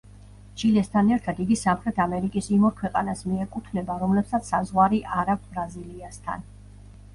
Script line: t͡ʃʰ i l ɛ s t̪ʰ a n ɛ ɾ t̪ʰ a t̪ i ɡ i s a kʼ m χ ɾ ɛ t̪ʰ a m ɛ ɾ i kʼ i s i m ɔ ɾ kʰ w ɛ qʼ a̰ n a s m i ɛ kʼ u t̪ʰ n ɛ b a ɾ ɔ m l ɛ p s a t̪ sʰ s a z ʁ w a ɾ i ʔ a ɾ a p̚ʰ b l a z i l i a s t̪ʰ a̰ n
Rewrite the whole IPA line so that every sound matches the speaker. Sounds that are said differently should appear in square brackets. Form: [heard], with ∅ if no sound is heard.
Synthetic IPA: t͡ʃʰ i l ɛ s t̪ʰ a n ɛ ɾ t̪ʰ a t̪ i ɡ i s a [∅] m χ ɾ ɛ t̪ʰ a m ɛ ɾ i kʼ i s i m ɔ ɾ kʰ w ɛ qʼ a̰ n a s m i ɛ kʼ u t̪ʰ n ɛ b a ɾ ɔ m l ɛ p s a t̪ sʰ s a z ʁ w a ɾ i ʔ a ɾ a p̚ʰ b [ɾ] a z i l i a s t̪ʰ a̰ n